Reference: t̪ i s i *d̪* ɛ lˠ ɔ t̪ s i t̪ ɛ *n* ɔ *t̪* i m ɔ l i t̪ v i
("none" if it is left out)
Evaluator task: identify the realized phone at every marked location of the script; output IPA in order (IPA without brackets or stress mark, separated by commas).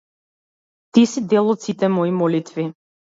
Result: d̪, m, none